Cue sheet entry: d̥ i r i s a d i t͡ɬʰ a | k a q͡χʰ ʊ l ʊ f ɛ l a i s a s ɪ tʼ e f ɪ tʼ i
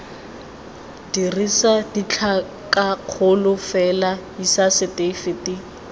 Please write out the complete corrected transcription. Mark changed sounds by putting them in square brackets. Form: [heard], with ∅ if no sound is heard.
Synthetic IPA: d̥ i r i s a d i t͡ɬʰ a | k a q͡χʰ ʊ l ʊ f ɛ l a i s a s ɪ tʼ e f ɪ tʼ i